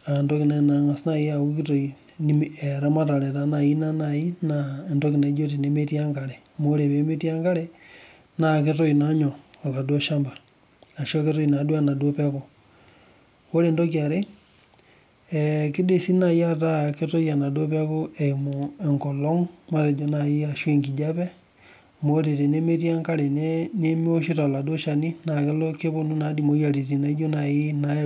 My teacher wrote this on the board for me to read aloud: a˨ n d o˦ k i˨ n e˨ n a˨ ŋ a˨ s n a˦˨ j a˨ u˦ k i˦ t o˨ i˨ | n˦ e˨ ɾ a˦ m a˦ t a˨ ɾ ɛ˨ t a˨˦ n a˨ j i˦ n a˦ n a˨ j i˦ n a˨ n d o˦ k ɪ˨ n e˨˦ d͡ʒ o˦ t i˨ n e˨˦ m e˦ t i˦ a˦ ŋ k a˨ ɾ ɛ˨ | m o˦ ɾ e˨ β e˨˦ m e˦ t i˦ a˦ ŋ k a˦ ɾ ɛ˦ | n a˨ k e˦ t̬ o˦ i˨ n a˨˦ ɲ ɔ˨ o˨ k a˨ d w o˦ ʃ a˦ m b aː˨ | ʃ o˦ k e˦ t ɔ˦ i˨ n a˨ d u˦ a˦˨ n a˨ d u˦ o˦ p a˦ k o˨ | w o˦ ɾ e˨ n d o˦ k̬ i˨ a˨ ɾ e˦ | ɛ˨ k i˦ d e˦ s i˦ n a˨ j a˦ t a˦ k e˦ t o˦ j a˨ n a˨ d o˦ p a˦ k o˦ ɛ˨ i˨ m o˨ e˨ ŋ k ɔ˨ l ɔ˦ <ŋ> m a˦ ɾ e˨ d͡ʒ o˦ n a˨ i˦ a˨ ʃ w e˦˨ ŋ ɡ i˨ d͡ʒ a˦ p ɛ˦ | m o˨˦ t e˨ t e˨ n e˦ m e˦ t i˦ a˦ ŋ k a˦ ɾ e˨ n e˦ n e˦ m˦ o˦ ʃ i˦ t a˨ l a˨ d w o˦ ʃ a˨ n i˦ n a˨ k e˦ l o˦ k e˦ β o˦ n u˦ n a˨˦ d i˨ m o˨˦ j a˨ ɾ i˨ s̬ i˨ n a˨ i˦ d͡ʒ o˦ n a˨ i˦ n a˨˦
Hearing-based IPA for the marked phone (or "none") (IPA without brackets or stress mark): ŋ